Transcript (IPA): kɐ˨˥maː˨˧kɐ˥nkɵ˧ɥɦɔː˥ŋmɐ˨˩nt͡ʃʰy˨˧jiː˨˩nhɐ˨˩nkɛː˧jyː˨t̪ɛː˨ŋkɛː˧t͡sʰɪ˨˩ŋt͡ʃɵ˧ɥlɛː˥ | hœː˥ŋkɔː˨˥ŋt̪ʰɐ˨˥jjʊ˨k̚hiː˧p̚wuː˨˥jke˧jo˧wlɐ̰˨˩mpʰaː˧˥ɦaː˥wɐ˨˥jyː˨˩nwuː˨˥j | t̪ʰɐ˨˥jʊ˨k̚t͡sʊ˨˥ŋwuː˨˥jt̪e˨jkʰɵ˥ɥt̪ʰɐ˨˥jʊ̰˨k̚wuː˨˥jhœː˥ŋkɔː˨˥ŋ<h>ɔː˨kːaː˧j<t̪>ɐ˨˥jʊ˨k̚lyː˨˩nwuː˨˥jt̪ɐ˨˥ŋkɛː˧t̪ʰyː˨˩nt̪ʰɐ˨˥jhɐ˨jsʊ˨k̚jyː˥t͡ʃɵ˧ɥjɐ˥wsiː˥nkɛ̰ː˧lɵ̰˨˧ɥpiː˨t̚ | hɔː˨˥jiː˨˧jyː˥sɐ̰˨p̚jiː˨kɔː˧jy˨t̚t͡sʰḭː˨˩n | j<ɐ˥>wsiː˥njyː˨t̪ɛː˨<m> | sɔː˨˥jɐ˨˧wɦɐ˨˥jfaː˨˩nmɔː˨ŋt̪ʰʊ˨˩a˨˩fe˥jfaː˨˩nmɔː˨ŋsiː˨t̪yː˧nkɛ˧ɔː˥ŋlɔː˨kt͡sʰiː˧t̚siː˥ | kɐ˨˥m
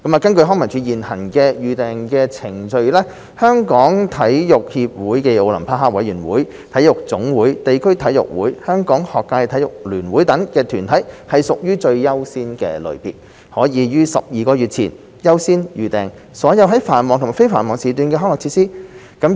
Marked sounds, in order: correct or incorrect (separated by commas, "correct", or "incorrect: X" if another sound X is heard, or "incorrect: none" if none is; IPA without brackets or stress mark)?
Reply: correct, incorrect: t̪ʰ, correct, incorrect: ŋ